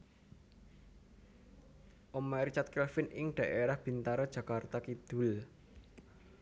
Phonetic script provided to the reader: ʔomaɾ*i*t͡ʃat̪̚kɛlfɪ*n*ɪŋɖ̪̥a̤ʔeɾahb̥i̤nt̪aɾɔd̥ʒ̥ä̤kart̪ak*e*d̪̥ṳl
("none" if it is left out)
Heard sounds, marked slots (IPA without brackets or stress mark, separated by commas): i, n, i